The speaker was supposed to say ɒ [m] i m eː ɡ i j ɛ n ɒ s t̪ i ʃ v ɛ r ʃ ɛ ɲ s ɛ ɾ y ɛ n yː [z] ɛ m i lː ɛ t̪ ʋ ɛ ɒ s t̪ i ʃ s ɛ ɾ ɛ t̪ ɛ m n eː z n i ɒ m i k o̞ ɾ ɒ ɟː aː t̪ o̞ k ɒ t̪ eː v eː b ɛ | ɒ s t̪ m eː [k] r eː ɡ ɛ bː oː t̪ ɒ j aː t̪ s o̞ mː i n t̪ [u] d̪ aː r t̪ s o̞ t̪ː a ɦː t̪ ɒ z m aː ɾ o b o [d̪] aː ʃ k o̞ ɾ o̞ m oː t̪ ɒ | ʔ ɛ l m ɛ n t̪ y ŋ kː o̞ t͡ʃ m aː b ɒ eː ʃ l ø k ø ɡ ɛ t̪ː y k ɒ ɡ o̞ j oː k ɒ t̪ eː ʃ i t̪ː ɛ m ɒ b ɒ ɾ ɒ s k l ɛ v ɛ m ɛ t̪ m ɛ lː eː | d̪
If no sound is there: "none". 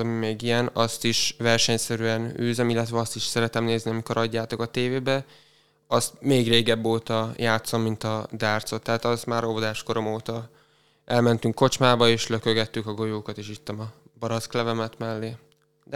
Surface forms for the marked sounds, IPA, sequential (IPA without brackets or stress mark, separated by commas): m, z, ɡ, ɒ, d̪